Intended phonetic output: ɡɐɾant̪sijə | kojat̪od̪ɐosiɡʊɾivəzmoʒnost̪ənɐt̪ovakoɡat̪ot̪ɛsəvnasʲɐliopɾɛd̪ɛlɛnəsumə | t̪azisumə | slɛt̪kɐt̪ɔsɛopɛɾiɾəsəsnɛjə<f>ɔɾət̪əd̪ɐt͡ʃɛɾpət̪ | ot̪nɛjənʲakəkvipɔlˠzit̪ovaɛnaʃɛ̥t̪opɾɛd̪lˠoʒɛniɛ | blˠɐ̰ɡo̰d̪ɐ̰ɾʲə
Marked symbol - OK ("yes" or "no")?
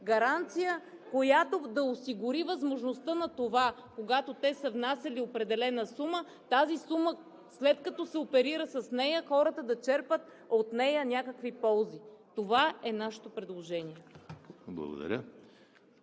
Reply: no